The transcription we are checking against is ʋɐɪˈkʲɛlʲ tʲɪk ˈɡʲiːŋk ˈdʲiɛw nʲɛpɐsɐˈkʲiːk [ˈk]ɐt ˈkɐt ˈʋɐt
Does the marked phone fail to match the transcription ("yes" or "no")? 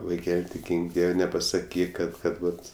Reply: no